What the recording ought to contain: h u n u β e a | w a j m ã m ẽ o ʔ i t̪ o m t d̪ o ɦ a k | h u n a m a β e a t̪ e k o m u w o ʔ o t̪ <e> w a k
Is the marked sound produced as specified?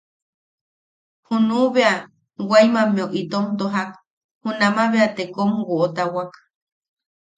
no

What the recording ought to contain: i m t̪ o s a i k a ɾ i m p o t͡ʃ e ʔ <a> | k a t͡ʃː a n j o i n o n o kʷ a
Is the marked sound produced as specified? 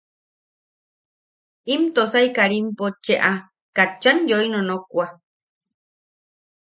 yes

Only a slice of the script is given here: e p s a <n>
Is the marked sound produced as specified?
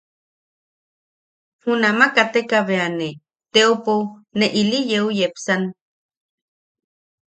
yes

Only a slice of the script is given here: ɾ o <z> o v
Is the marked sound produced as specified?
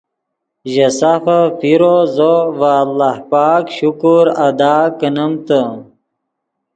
yes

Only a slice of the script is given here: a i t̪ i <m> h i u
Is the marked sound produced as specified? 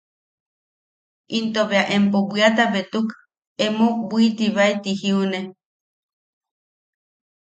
no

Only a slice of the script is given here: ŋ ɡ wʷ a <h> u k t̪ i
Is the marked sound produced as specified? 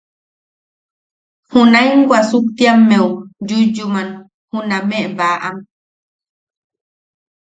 no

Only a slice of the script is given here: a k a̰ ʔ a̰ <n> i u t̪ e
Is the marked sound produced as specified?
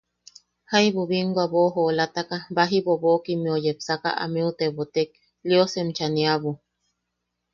no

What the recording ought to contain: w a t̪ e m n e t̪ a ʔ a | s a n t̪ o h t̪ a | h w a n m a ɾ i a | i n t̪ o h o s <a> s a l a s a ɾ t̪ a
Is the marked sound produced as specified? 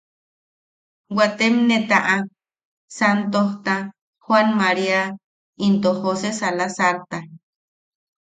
no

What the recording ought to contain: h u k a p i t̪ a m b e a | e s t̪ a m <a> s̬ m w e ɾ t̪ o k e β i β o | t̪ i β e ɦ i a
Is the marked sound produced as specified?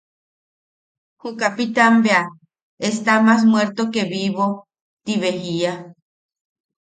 yes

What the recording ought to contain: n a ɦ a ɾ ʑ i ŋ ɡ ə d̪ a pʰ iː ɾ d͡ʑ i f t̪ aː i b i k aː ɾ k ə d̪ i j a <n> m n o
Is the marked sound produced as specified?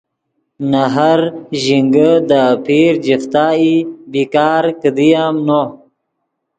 no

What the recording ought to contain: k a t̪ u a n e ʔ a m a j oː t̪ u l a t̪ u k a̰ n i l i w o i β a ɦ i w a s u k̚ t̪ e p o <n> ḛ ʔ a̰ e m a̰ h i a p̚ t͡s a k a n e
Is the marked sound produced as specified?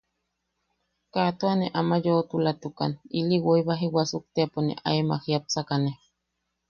yes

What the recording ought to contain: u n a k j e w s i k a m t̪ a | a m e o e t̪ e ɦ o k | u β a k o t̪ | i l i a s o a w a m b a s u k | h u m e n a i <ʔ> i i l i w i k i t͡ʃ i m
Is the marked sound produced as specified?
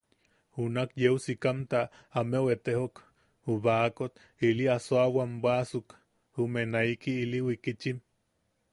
no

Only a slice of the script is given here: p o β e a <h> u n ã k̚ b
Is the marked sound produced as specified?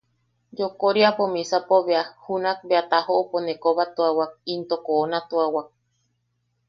yes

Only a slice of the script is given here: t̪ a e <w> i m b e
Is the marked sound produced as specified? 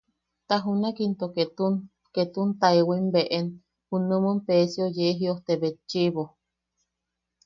yes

